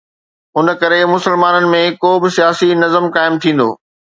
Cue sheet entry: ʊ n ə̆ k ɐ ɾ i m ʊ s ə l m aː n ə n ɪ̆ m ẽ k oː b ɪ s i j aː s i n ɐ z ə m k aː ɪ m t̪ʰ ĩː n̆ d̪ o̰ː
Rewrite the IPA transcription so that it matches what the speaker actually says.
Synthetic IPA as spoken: ʊ n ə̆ k ɐ ɾ e m ʊ s ə l m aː n ə n ɪ̆ m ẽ k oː b ɪ s i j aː s i n ɐ z ə m k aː ɪ m t̪ʰ ĩː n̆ d̪ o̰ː